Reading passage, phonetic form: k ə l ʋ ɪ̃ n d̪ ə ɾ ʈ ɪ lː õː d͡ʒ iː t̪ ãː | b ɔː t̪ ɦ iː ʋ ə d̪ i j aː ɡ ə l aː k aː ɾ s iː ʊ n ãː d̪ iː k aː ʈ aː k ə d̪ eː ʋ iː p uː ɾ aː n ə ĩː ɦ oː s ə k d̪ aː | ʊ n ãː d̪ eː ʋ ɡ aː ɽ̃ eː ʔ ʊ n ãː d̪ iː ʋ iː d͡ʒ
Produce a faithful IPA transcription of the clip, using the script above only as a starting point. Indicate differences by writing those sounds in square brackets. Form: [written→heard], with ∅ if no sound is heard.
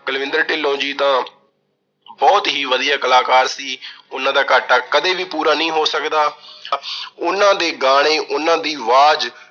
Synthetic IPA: k ə l ʋ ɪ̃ n d̪ ə ɾ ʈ ɪ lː õː d͡ʒ iː t̪ ãː | b ɔː t̪ ɦ iː ʋ ə d̪ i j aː [ɡ→k] ə l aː k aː ɾ s iː ʊ n ãː d̪ [iː→aː] k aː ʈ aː k ə d̪ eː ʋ iː p uː ɾ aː n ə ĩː ɦ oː s ə k d̪ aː | ʊ n ãː d̪ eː [ʋ→∅] ɡ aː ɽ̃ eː ʔ ʊ n ãː d̪ iː ʋ [iː→aː] d͡ʒ